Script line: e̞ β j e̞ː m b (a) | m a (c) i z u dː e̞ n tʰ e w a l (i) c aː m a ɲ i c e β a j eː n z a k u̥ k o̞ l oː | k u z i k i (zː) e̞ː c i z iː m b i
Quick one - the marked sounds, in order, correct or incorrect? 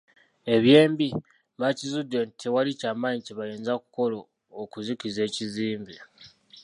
incorrect: i, correct, correct, incorrect: z

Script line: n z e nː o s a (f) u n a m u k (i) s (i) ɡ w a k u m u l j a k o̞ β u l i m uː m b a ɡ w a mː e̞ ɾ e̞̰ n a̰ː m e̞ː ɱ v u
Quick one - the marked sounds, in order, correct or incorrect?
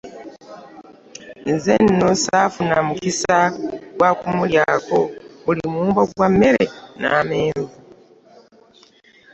correct, correct, incorrect: a

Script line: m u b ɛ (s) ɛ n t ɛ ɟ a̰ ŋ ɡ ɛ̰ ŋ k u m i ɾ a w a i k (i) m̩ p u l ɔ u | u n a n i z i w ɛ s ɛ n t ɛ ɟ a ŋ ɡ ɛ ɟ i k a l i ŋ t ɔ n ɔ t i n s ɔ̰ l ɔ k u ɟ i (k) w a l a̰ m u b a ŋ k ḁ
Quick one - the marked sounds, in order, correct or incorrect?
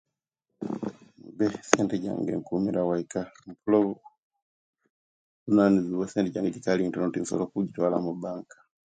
correct, incorrect: a, incorrect: t

